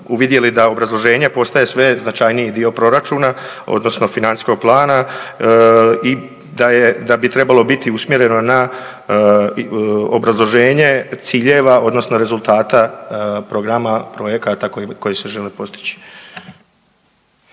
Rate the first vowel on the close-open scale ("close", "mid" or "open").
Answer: close